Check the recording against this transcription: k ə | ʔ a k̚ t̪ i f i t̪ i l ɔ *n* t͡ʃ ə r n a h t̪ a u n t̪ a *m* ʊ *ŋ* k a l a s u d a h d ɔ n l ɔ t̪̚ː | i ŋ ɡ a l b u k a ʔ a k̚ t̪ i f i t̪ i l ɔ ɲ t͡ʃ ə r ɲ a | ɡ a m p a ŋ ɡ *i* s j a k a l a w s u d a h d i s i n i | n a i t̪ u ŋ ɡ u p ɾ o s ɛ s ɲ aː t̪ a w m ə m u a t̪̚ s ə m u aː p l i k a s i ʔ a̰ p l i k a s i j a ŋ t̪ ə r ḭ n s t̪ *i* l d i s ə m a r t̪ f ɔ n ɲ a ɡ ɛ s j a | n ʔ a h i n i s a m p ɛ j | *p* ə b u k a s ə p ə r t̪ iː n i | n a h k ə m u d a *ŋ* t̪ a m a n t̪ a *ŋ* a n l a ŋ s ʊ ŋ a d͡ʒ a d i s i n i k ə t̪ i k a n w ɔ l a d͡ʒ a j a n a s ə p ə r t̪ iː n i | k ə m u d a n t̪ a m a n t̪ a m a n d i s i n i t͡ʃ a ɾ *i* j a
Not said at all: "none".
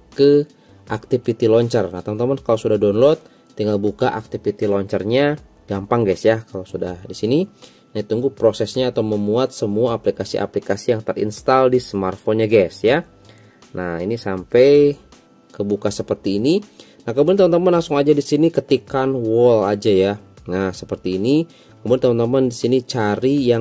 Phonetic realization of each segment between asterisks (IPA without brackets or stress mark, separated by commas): ɲ, m, n, ɛ, a, k, n, m, i